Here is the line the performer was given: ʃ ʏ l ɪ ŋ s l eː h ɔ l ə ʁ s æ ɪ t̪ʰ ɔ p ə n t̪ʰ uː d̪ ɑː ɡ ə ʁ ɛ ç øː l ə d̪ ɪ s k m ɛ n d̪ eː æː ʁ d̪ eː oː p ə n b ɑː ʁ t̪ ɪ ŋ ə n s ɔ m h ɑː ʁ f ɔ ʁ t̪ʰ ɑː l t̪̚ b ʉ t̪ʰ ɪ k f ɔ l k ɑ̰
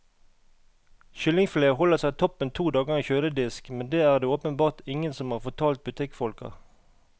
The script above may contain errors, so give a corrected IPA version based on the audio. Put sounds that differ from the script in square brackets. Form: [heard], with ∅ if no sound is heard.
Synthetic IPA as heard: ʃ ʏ l ɪ ŋ [f] l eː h ɔ l ə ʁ s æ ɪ t̪ʰ ɔ p ə n t̪ʰ uː d̪ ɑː ɡ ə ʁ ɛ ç øː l ə d̪ ɪ s k m ɛ n d̪ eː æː ʁ d̪ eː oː p ə n b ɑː ʁ t̪ ɪ ŋ ə n s ɔ m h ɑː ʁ f ɔ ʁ t̪ʰ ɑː l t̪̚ b ʉ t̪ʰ ɪ k f ɔ l k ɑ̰